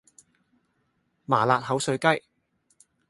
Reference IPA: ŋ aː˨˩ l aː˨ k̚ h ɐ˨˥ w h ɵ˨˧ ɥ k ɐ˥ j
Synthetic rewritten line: m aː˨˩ l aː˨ t̚ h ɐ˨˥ w s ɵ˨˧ ɥ k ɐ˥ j